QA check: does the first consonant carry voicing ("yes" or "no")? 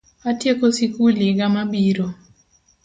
no